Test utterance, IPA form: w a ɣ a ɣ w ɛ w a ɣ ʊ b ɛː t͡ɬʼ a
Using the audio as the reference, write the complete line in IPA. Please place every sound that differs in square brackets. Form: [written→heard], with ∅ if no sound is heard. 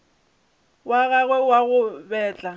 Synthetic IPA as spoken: w a ɣ a ɣ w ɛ w a ɣ ʊ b ɛː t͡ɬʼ a